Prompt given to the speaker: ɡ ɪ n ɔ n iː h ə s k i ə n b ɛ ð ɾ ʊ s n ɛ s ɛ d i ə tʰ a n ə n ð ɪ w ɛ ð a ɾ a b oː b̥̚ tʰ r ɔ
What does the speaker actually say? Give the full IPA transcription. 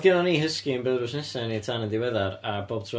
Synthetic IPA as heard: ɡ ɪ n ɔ n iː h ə s k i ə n b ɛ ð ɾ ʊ s n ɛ s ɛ n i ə tʰ a n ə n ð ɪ w ɛ ð a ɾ a b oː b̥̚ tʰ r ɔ